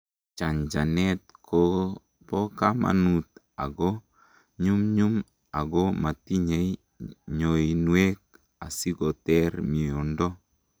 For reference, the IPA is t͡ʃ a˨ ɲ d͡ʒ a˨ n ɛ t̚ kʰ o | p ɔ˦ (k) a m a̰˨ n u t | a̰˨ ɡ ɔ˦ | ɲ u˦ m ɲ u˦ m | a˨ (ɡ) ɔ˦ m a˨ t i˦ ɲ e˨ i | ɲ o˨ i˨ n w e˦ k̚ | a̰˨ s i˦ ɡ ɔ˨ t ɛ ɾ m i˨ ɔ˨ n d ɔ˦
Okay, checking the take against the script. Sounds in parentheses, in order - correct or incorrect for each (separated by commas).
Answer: correct, correct